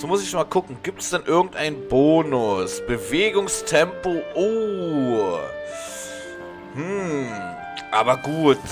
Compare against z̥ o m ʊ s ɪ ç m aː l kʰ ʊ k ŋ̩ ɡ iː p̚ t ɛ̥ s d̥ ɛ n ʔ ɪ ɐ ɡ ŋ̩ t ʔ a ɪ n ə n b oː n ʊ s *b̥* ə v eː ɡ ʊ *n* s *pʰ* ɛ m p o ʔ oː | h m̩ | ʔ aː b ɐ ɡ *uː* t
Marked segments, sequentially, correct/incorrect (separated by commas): correct, incorrect, incorrect, correct